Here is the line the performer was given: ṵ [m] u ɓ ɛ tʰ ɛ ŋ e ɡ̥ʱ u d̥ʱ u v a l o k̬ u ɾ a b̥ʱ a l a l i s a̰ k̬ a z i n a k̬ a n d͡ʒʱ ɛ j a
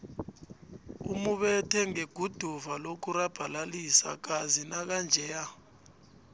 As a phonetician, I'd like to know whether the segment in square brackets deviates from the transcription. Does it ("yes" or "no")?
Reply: no